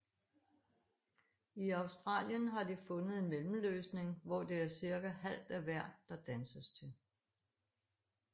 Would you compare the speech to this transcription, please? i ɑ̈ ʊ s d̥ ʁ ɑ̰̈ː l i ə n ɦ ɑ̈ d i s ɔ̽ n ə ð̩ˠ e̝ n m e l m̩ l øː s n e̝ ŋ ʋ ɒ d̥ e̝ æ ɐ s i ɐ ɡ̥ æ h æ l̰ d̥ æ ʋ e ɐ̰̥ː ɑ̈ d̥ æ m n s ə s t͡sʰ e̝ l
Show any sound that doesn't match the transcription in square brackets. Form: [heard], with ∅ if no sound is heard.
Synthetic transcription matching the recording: i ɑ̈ ʊ s d̥ ʁ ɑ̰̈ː l [j] ə n ɦ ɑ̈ d i [f] ɔ̽ n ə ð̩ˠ e̝ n m e l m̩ l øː s n e̝ ŋ ʋ ɒ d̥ e̝ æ ɐ s i ɐ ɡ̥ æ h æ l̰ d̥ æ ʋ [æ] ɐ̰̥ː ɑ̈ d̥ æ [∅] n s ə s t͡sʰ e̝ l

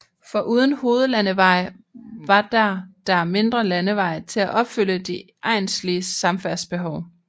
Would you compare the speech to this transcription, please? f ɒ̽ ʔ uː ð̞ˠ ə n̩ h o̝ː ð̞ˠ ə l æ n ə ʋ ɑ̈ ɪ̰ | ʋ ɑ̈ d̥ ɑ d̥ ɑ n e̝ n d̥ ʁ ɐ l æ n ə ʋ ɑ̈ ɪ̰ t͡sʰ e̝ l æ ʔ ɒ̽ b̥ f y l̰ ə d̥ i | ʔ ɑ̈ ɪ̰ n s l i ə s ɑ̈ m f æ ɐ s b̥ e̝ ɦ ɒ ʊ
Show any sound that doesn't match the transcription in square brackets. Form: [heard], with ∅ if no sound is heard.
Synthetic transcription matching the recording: f ɒ̽ ʔ uː ð̞ˠ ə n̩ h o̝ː ð̞ˠ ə l æ n ə ʋ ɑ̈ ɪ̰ | ʋ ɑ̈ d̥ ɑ d̥ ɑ [m] e̝ n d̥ ʁ ɐ l æ n ə ʋ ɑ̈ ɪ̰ t͡sʰ e̝ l æ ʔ ɒ̽ b̥ f y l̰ ə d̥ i | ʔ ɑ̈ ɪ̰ n s l i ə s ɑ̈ m f æ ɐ s b̥ e̝ ɦ ɒ ʊ

